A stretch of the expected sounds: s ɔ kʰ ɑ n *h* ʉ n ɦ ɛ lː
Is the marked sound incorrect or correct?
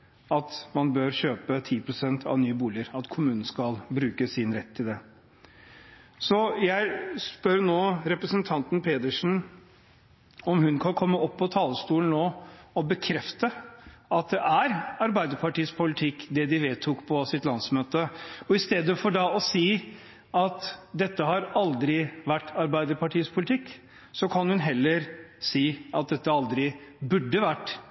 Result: correct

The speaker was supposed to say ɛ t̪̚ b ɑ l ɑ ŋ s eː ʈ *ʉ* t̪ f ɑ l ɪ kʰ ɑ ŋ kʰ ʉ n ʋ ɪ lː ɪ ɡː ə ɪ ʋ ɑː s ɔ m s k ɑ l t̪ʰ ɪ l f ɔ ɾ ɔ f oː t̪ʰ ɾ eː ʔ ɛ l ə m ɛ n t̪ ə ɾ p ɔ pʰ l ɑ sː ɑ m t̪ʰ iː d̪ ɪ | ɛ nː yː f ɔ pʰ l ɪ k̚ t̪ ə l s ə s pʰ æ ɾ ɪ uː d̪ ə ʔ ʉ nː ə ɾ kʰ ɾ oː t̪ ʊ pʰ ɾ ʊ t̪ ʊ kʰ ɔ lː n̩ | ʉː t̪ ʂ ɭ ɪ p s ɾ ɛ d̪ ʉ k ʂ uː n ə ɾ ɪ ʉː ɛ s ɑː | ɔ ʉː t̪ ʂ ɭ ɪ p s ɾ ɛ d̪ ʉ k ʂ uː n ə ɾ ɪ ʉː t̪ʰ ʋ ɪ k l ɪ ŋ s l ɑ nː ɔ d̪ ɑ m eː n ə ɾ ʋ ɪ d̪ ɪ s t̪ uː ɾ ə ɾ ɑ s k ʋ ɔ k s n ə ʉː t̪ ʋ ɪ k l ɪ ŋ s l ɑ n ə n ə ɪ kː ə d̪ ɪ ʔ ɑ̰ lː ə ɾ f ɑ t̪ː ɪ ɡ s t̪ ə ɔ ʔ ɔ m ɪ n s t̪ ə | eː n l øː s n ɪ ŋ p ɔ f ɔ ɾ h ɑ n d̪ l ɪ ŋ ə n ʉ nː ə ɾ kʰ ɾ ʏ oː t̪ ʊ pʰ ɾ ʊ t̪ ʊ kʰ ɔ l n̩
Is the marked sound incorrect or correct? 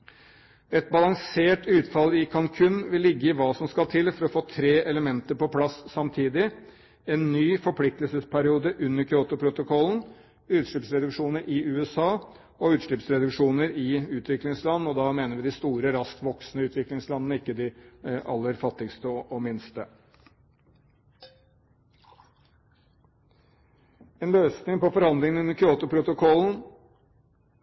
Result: incorrect: ʉː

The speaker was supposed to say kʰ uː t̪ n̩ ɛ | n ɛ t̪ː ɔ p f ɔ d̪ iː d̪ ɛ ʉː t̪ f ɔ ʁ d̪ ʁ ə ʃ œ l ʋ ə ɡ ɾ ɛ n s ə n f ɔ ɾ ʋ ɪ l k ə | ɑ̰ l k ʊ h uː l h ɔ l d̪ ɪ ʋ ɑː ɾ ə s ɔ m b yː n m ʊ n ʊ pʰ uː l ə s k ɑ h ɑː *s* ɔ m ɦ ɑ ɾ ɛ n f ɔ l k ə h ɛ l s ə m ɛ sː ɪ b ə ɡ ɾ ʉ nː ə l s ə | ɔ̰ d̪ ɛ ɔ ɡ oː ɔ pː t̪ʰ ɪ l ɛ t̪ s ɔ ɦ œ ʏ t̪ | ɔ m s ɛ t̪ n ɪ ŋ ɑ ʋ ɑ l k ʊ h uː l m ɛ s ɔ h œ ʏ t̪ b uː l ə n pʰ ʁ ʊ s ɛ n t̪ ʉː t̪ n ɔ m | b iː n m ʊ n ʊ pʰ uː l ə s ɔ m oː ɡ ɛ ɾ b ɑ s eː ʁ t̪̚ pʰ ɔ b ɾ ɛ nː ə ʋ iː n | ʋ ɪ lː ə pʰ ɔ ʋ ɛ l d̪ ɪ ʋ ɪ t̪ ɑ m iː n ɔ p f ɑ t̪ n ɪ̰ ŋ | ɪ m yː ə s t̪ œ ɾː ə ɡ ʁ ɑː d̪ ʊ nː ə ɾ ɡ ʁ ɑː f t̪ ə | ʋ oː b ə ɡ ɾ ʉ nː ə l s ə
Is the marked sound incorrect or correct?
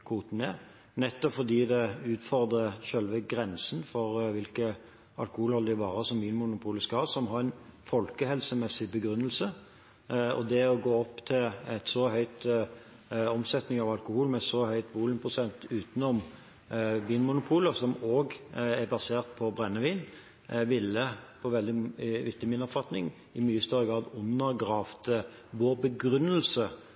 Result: correct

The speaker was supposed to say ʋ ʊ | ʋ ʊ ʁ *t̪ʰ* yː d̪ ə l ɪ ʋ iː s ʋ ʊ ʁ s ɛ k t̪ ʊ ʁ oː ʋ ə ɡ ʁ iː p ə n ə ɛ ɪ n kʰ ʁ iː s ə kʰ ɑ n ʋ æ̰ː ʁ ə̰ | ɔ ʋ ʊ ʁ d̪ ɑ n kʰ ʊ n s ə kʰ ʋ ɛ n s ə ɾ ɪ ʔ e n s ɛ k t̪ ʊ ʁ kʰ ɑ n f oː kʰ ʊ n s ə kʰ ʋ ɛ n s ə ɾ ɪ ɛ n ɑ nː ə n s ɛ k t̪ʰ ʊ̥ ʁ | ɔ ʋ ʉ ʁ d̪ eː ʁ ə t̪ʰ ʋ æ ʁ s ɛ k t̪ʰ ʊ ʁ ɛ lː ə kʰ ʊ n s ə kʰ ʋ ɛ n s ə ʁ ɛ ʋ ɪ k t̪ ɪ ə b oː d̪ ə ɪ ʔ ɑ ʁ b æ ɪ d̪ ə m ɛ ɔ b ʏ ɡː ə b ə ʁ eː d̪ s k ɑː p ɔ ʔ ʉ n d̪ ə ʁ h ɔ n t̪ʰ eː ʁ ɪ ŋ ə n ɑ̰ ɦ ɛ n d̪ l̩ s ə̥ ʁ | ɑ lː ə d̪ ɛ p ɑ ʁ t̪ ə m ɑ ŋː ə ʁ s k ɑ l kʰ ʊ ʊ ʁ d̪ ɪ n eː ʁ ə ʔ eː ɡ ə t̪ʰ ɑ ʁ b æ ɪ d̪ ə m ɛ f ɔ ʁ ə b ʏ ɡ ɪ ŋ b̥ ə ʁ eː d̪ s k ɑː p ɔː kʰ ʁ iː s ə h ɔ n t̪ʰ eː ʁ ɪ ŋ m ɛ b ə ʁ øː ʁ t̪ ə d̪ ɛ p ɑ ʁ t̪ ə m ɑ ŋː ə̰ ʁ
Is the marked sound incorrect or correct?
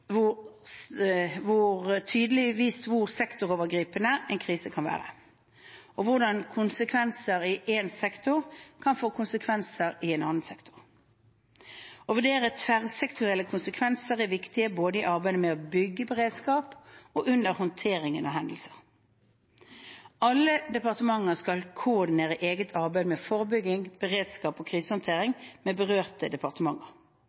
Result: correct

